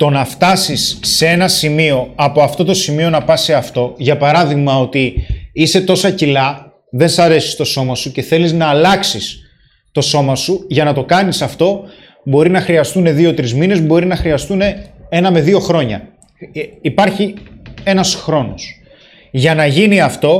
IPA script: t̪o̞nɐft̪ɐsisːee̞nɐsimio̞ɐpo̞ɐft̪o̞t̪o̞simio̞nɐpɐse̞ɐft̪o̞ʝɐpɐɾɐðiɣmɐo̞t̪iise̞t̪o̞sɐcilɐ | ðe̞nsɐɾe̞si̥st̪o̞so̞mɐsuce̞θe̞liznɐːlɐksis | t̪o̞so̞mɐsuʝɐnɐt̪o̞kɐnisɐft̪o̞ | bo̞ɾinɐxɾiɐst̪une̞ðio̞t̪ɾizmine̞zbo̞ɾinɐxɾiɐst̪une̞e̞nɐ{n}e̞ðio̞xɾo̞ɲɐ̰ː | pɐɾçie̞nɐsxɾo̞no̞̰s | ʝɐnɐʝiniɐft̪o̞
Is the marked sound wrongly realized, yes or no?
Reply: yes